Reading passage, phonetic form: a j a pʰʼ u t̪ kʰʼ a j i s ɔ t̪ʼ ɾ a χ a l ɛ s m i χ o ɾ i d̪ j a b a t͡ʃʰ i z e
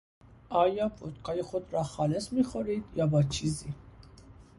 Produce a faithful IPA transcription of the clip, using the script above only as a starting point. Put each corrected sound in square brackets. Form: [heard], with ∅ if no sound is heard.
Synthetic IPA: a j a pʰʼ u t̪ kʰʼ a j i [χ] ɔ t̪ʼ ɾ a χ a l ɛ s m i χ [ɔ] ɾ i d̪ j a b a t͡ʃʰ i z [i]